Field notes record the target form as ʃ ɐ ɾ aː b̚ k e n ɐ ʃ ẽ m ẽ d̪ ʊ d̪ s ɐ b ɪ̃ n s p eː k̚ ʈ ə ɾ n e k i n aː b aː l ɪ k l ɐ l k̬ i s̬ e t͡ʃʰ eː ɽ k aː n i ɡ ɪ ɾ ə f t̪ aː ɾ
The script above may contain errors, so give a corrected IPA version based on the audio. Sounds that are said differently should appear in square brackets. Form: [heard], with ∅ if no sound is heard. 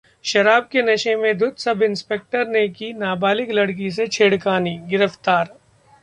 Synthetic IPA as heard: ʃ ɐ ɾ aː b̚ k e n ɐ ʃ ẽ m ẽ d̪ ʊ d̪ s ɐ b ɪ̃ n s p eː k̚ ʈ ə ɾ n e k i n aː b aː l ɪ k l ɐ [ɽ] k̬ i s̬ e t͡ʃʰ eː ɽ k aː n i ɡ ɪ ɾ ə f t̪ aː ɾ